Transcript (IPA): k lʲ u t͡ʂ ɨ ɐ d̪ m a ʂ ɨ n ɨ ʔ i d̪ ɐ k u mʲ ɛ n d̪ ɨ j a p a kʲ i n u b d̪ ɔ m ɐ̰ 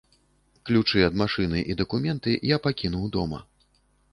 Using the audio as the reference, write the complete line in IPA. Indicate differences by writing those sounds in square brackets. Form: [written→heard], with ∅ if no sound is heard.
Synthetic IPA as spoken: k lʲ u t͡ʂ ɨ ɐ d̪ m a ʂ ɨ n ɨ ʔ i d̪ ɐ k u mʲ ɛ n [d̪→t̪] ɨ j a p a kʲ i n u [b→w] d̪ ɔ m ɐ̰